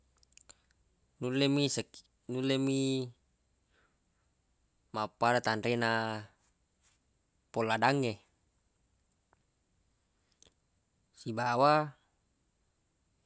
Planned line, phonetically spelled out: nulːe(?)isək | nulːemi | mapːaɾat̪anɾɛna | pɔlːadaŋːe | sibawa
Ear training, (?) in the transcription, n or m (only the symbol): m